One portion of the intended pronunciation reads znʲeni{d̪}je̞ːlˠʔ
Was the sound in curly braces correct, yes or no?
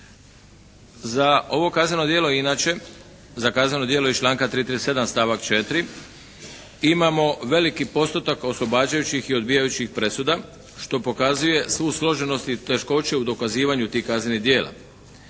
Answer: yes